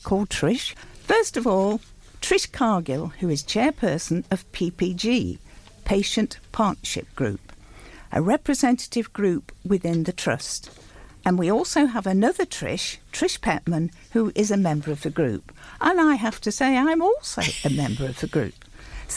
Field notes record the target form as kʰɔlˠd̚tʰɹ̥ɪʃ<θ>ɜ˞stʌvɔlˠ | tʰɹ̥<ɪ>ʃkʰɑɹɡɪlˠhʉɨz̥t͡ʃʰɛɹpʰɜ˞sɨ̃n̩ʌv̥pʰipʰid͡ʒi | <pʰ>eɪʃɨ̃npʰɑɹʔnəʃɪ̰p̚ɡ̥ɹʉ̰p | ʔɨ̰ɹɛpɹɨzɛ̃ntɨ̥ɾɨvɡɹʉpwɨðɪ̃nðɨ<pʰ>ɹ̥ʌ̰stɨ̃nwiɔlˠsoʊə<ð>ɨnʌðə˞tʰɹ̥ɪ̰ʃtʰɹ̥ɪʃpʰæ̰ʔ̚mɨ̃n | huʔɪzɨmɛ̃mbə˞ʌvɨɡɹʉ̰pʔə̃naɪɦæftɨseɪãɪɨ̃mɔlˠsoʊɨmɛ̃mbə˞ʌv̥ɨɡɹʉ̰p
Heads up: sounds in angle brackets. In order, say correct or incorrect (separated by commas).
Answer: incorrect, correct, correct, incorrect, incorrect